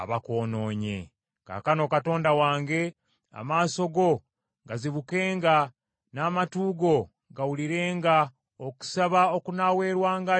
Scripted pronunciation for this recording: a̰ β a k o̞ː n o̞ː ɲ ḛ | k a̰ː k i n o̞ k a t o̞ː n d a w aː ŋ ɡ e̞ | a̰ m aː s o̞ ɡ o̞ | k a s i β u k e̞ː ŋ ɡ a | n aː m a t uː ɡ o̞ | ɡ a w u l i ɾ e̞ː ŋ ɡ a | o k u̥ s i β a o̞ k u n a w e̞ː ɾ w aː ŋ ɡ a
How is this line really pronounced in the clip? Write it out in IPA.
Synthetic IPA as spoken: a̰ β a k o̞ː n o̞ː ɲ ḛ | k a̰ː k a n o̞ k a t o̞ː n d a w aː ŋ ɡ e̞ | a̰ m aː s o̞ ɡ o̞ | ɡ a z i β u k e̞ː ŋ ɡ a | n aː m a t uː ɡ o̞ | ɡ a w u l i ɾ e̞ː ŋ ɡ a | o k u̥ s a β a o̞ k u n a w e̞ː ɾ w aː ŋ ɡ a